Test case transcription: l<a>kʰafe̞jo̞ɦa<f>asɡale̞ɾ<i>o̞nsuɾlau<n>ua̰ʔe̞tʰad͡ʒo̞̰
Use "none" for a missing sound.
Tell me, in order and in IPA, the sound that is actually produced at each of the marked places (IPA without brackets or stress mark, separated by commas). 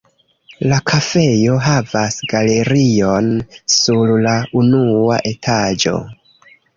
a, v, i, n